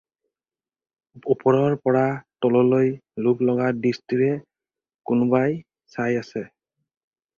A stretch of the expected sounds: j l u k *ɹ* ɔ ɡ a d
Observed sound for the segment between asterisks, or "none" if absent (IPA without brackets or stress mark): l